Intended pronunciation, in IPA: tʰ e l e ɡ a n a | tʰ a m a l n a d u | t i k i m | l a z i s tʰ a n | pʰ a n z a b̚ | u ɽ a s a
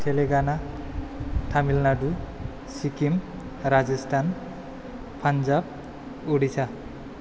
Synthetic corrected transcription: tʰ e l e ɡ a n a | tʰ a m i l n a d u | s i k i m | ɾ a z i s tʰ a n | pʰ a n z a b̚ | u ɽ i s a